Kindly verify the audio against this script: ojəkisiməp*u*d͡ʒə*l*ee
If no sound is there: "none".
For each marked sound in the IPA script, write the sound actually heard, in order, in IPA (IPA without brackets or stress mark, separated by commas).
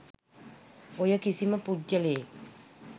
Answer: u, l